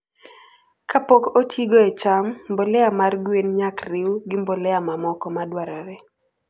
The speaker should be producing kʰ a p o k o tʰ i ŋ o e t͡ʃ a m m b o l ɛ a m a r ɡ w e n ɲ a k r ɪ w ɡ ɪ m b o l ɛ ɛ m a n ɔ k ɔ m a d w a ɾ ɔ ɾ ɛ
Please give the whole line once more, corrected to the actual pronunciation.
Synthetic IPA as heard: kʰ a p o k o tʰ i ɡ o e t͡ʃ a m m b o l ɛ a m a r ɡ w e n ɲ a k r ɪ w ɡ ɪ m b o l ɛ a m a m ɔ k ɔ m a d w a ɾ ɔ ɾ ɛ

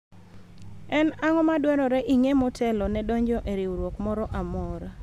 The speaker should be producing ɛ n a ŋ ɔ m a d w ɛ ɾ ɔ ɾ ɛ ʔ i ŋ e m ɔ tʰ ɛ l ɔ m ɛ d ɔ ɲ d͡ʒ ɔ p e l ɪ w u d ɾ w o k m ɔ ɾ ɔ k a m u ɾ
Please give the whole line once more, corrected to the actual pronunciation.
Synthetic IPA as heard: ɛ n a ŋ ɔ m a d w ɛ ɾ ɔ ɾ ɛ ʔ i ŋ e m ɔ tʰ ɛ l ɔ n ɛ d ɔ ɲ d͡ʒ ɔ ʔ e ɾ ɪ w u ɾ w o k m ɔ ɾ ɔ ʔ a m ɔ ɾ

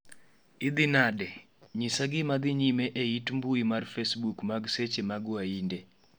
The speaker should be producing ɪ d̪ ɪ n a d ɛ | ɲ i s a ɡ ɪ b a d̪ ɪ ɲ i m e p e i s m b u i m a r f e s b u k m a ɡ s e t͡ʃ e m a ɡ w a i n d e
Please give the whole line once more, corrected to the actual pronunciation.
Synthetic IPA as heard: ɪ d̪ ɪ n a d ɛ | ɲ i s a ɡ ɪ m a d̪ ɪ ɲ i m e ʔ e i t m b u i m a r f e s b u k m a ɡ s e t͡ʃ e m a ɡ w a i n d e

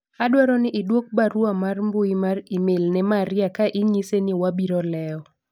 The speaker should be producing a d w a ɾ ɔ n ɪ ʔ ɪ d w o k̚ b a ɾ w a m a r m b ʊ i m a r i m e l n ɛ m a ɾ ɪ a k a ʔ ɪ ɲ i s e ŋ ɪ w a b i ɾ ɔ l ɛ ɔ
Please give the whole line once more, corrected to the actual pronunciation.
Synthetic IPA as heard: a d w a ɾ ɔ n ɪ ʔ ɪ d w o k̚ b a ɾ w a m a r m b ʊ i m a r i m e l n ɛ m a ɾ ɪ a k a ʔ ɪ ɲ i s e n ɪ w a b i ɾ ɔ l ɛ ɔ

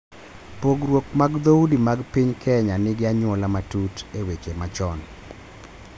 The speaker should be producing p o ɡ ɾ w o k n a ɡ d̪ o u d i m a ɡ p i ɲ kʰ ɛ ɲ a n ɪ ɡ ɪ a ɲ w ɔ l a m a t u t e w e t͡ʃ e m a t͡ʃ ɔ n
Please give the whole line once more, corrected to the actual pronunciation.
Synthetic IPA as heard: p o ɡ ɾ w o k m a ɡ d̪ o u d i m a ɡ p i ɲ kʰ ɛ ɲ a n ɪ ɡ ɪ a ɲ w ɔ l a m a t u t e w e t͡ʃ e m a t͡ʃ ɔ n

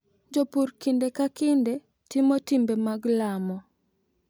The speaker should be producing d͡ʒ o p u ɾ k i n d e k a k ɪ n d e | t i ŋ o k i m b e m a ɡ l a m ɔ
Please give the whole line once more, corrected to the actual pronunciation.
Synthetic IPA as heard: d͡ʒ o p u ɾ k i n d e k a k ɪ n d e | t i m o t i m b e m a ɡ l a m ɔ

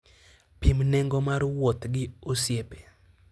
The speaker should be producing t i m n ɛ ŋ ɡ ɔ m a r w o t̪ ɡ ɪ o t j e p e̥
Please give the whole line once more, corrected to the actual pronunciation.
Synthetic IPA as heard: p i m n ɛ ŋ ɡ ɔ m a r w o t̪ ɡ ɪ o s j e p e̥

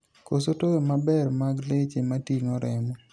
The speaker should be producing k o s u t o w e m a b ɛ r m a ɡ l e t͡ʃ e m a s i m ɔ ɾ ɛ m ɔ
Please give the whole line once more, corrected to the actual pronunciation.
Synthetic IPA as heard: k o s o t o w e m a b ɛ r m a ɡ l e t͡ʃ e m a t i ŋ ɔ ɾ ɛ m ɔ

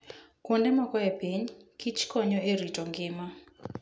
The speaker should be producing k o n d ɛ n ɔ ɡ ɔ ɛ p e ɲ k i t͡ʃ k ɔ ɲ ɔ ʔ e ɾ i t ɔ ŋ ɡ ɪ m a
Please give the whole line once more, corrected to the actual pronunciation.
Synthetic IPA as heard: k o n d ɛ m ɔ k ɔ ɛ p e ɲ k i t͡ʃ k ɔ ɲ ɔ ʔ e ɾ i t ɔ ŋ ɡ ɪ m a

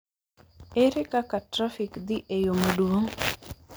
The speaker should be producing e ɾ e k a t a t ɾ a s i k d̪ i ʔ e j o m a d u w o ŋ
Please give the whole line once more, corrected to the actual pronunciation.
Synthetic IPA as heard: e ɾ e k a k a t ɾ a f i k d̪ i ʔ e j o m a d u w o ŋ

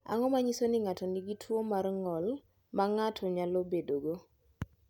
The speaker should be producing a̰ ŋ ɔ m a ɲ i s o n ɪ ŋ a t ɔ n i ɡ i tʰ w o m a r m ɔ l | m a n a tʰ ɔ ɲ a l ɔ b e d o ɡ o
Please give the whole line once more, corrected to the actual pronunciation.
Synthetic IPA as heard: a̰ ŋ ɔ m a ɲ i s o n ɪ ŋ a t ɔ n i ɡ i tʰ w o m a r ŋ ɔ l | m a ŋ a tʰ ɔ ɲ a l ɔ b e d o ɡ o

